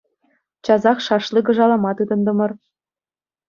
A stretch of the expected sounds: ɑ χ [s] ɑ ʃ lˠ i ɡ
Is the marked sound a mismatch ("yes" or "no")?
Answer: yes